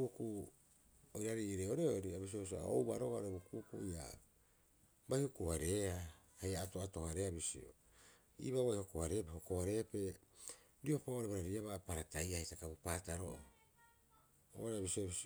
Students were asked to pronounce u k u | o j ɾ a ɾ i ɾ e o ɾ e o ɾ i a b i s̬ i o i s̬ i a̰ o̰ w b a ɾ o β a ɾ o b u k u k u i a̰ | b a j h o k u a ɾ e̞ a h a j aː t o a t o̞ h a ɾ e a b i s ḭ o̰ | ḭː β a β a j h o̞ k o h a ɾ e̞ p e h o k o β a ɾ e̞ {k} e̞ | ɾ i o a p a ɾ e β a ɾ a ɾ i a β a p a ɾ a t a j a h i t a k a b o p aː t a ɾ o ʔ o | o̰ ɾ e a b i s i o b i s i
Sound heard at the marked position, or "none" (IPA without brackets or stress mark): p